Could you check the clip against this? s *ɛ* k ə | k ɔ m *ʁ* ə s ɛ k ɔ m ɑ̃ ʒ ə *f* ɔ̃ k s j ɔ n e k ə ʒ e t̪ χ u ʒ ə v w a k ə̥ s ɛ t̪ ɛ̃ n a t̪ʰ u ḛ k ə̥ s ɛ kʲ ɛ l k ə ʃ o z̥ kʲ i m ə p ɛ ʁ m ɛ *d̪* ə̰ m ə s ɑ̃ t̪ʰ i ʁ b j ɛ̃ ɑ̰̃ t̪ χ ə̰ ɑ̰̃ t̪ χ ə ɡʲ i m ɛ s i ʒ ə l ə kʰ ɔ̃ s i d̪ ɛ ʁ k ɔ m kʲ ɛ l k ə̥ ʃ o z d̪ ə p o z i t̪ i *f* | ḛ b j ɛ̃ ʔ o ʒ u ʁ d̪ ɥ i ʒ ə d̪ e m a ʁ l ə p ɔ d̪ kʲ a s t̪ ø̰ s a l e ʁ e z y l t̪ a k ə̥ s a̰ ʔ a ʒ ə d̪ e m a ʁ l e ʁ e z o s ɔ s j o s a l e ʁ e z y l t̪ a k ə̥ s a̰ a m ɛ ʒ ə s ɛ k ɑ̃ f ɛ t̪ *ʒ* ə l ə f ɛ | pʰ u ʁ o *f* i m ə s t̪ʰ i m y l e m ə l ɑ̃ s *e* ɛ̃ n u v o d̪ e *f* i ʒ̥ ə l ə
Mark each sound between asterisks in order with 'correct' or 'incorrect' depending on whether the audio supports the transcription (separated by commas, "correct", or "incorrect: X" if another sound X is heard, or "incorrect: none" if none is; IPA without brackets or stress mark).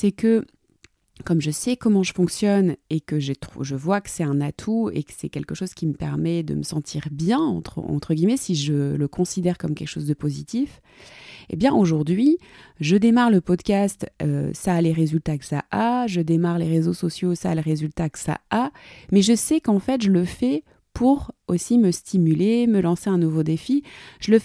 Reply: correct, incorrect: ʒ, correct, correct, correct, correct, incorrect: s, correct, correct